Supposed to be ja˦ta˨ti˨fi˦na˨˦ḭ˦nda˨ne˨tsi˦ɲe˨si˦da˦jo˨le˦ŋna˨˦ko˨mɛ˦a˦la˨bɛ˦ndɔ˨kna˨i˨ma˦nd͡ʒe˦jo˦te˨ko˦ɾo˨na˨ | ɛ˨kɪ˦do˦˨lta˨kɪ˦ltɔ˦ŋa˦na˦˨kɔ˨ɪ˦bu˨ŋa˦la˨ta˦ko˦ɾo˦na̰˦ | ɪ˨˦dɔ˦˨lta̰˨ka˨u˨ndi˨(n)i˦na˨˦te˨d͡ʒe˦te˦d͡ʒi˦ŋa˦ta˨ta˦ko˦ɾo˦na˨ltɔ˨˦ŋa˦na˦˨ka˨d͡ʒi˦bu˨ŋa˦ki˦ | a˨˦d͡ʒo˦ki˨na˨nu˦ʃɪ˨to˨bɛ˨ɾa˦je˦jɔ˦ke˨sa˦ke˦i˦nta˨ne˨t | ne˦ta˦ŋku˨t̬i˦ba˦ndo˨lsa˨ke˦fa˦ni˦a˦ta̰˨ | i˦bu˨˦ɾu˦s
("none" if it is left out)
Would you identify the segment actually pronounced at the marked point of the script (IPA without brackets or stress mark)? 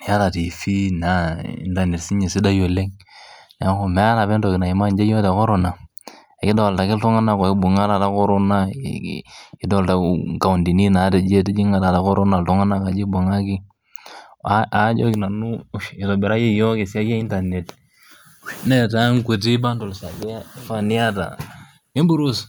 n